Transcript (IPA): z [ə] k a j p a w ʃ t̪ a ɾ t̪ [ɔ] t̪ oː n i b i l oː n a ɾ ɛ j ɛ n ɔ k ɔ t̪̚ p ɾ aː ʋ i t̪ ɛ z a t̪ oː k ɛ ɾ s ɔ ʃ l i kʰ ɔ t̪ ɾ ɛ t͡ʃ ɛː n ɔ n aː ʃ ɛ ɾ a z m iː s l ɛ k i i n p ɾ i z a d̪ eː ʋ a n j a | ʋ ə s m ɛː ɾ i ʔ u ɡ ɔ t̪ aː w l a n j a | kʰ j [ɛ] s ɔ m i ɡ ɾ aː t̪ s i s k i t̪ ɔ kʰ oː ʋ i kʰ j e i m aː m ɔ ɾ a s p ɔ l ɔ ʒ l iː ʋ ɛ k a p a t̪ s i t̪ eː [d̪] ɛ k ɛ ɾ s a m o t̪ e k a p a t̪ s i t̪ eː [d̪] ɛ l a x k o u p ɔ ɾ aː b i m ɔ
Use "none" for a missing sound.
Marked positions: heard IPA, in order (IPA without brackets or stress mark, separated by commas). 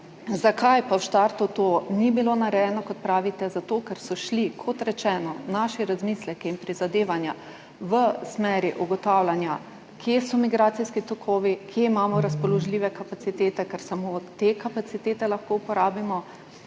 a, u, e, t̪, t̪